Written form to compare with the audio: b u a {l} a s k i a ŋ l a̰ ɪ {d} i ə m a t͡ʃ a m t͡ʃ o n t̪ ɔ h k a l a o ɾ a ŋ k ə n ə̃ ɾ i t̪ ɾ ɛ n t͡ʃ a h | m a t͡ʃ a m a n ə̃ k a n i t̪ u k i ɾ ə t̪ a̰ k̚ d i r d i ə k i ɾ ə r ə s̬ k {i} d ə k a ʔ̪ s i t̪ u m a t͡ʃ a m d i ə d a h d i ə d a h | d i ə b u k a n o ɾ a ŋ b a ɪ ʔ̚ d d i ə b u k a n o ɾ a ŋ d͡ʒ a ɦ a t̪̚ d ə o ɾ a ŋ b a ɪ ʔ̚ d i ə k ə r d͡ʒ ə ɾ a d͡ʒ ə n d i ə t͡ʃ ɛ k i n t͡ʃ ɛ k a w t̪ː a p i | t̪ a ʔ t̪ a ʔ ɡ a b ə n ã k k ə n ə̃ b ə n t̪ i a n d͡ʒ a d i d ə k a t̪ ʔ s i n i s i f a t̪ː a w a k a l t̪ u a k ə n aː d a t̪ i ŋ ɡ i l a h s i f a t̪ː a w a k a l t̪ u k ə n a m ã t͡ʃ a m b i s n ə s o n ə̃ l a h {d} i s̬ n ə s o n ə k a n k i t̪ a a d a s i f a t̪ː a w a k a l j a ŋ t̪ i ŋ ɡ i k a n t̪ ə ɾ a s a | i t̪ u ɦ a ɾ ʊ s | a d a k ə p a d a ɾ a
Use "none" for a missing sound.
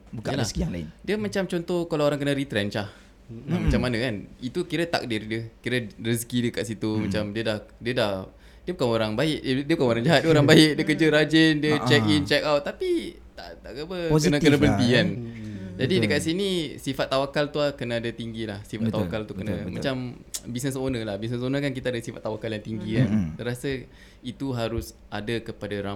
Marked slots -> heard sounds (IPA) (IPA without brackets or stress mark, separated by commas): l, d, i, b